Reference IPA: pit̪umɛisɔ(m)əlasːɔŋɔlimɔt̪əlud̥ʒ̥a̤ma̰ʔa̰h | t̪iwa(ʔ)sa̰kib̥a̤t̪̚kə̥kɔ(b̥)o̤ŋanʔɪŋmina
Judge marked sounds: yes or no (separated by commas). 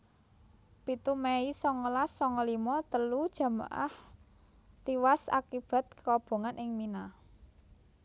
no, no, yes